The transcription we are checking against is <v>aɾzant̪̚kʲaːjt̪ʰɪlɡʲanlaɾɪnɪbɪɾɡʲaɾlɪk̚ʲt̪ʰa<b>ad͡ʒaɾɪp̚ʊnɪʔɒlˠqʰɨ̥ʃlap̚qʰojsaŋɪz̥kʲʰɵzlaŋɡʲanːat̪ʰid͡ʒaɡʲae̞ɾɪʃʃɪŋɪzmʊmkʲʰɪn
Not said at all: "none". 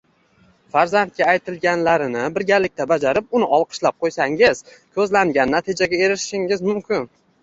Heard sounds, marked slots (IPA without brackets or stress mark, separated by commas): f, b